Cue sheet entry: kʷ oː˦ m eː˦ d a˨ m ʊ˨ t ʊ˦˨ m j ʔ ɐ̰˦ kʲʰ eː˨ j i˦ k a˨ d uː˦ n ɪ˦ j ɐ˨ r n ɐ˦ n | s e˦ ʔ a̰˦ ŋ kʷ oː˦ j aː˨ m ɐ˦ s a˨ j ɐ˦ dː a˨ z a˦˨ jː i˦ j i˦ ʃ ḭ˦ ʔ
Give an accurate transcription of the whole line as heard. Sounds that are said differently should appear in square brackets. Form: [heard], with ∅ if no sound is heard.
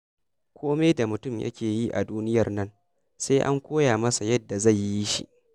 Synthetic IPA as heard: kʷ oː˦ m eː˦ d a˨ m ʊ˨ t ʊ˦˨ m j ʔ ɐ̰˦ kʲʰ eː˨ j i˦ [ʔ] a˨ d uː˦ n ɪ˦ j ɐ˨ r n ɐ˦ n | s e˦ ʔ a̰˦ ŋ kʷ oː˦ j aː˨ m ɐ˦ s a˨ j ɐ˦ dː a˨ z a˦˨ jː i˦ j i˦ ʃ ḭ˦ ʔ